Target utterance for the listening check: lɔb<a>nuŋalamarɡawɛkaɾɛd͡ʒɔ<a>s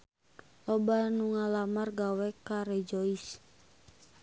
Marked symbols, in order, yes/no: yes, no

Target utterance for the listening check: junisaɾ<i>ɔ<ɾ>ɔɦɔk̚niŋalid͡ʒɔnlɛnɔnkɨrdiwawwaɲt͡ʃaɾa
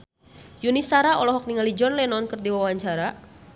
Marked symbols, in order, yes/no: no, no

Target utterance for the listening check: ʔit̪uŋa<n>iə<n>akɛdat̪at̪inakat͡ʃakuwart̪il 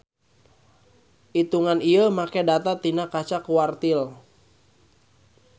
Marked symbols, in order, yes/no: yes, no

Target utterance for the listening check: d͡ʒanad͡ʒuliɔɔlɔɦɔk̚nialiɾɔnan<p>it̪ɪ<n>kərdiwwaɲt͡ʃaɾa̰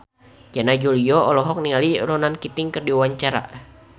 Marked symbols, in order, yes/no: no, no

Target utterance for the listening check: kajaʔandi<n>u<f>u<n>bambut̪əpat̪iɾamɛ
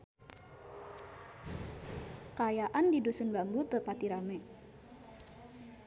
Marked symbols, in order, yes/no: no, no, yes

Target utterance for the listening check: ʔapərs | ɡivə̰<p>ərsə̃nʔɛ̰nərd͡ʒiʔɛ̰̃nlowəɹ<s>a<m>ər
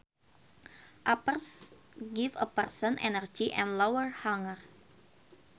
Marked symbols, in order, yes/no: yes, no, no

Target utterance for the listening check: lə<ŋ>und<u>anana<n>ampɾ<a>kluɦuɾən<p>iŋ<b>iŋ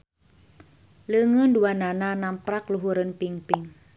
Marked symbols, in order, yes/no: yes, yes, yes, yes, yes, no

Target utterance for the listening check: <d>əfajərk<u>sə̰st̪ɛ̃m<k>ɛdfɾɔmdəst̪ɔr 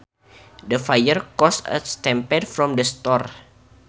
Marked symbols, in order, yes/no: yes, no, no

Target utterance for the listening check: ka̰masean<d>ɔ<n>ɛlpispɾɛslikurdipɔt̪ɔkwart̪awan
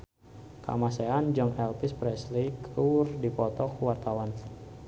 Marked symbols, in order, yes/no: no, no

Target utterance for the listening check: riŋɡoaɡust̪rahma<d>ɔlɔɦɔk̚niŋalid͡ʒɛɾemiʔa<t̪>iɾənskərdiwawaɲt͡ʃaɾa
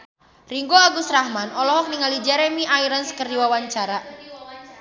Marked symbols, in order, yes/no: no, no

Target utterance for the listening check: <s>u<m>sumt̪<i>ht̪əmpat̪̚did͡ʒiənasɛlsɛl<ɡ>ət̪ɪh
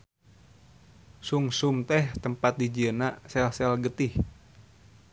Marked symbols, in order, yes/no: yes, no, no, yes

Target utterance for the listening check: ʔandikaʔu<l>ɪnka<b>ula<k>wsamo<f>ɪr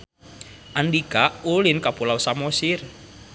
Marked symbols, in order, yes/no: yes, no, no, no

